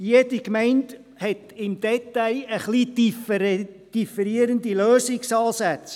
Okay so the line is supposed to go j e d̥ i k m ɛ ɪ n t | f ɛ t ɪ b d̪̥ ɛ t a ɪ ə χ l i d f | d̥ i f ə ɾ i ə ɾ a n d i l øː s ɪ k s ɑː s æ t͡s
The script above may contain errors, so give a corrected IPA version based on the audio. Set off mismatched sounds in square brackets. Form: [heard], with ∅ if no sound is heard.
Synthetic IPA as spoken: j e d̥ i k m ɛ ɪ n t | [h] ɛ t ɪ [m] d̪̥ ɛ t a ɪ ə χ l i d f | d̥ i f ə ɾ i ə ɾ [ə] n d i l øː s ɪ k s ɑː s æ t͡s